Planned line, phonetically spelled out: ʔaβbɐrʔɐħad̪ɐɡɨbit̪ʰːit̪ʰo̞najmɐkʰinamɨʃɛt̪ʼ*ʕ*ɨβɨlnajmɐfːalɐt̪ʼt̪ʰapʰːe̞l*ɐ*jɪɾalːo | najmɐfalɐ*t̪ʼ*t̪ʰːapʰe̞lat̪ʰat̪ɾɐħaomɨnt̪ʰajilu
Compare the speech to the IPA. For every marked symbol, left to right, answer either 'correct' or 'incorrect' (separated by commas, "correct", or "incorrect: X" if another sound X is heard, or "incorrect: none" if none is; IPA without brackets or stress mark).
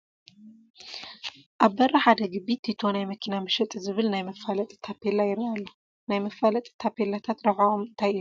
incorrect: z, incorrect: a, correct